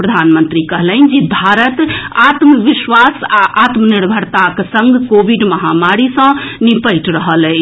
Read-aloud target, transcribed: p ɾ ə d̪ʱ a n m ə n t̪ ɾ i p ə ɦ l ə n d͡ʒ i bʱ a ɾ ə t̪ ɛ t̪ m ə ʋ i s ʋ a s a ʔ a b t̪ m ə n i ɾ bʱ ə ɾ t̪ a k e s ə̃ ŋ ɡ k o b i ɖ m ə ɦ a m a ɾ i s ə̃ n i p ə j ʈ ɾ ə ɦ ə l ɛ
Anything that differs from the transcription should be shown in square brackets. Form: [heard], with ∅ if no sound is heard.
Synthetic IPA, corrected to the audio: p ɾ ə d̪ʱ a n m ə n t̪ ɾ i [k] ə ɦ l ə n d͡ʒ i bʱ a ɾ ə t̪ [a] t̪ m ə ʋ i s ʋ a s a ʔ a [∅] t̪ m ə n i ɾ bʱ ə ɾ t̪ a k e s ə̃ ŋ ɡ k o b i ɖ m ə ɦ a m a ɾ i s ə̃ n i p ə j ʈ ɾ ə ɦ ə l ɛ